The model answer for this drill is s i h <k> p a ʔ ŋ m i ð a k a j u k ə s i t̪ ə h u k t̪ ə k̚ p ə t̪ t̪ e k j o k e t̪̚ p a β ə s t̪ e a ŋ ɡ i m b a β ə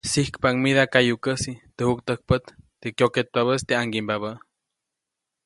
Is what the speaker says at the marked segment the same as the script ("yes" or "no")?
yes